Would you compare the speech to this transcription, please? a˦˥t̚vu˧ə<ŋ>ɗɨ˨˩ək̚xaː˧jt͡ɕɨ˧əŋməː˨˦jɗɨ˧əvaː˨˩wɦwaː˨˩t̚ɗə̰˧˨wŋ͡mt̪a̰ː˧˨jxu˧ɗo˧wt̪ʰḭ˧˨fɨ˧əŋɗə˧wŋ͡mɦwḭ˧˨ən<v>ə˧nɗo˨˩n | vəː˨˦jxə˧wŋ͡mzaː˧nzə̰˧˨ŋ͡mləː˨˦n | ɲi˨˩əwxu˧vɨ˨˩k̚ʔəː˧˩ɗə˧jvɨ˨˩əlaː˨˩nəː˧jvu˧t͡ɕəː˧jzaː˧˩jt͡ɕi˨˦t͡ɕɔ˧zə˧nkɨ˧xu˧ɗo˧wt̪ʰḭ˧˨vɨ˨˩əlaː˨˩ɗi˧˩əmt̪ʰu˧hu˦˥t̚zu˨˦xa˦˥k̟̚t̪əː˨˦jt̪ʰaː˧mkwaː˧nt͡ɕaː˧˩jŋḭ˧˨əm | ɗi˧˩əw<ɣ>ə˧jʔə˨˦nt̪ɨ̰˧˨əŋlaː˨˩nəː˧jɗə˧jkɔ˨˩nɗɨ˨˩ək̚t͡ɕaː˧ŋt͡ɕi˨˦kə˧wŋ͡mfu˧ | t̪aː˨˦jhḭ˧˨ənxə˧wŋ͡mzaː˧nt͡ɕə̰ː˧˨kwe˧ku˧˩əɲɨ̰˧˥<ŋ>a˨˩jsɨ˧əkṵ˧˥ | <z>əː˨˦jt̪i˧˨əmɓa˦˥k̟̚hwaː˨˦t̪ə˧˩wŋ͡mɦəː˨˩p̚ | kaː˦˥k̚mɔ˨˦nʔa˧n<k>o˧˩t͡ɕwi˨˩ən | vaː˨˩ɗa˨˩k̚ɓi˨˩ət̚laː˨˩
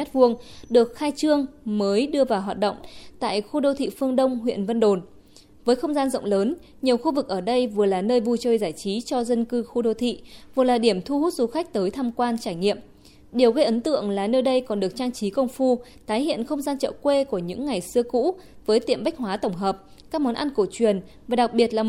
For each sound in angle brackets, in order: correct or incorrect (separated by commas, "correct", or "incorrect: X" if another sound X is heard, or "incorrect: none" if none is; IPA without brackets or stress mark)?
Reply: correct, correct, correct, incorrect: ŋː, incorrect: v, correct